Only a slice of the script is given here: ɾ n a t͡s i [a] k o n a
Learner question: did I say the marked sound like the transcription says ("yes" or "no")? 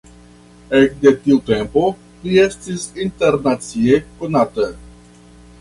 no